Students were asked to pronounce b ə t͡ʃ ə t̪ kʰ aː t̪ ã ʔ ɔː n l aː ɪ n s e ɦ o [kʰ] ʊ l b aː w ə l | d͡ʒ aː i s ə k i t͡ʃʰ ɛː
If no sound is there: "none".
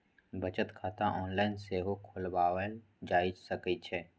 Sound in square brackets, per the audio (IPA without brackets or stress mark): kʰ